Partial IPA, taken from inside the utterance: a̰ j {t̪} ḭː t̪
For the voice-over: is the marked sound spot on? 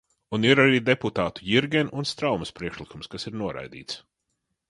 no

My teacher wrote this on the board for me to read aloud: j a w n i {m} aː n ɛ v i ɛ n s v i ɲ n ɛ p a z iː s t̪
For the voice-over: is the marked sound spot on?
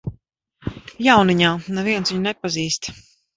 no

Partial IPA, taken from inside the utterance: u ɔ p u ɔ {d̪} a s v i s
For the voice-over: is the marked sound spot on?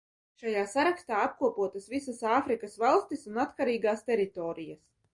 no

